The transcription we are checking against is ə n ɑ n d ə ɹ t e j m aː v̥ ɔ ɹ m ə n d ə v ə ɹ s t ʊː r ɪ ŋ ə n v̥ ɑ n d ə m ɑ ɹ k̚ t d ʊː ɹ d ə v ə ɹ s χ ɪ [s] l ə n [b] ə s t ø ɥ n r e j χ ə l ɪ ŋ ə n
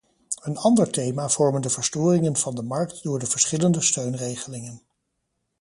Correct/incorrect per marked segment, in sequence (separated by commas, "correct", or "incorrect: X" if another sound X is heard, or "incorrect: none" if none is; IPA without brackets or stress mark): incorrect: none, incorrect: d